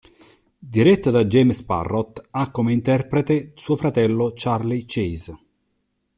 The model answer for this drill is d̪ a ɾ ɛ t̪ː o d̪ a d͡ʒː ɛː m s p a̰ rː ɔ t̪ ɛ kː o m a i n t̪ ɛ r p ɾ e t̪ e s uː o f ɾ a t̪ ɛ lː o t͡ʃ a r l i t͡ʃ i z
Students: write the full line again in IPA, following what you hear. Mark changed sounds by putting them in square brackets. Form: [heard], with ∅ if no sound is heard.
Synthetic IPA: d̪ [i] ɾ ɛ t̪ː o d̪ a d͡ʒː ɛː m s p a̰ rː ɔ t̪ [a] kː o m [e] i n t̪ ɛ r p ɾ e t̪ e s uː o f ɾ a t̪ ɛ lː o t͡ʃ a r l i t͡ʃ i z